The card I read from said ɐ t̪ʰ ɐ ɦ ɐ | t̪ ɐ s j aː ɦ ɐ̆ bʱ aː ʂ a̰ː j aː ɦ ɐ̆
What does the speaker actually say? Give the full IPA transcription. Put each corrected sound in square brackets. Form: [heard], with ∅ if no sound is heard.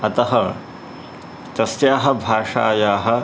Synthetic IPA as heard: ɐ [t̪] ɐ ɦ ɐ | t̪ ɐ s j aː ɦ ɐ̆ bʱ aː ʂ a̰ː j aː ɦ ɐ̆